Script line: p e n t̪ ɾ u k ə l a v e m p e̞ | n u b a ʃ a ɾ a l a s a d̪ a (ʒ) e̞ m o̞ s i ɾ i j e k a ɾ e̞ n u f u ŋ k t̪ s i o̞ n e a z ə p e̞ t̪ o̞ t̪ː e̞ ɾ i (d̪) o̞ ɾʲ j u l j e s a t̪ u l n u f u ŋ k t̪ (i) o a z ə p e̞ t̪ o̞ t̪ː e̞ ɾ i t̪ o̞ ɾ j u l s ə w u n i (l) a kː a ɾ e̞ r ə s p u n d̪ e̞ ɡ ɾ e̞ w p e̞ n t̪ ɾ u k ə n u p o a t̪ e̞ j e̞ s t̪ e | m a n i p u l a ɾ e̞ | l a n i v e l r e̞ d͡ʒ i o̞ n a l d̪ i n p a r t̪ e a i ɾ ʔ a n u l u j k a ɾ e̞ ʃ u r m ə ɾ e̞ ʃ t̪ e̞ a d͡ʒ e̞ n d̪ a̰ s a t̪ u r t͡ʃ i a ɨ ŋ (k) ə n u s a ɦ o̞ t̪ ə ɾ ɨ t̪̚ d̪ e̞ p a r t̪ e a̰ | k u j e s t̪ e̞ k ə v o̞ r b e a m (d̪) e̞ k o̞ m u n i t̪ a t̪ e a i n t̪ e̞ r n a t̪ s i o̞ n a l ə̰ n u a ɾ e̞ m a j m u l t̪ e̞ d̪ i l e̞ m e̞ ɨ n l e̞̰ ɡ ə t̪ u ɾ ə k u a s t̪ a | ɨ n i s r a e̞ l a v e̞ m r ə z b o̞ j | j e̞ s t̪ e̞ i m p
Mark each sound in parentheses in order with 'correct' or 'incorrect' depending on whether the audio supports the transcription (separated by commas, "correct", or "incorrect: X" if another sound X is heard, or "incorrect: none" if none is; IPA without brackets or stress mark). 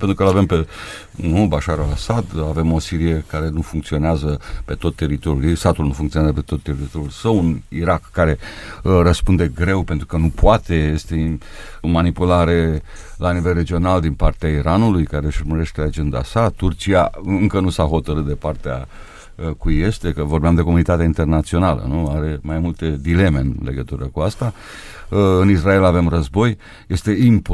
incorrect: v, incorrect: t̪, correct, incorrect: ɾ, correct, correct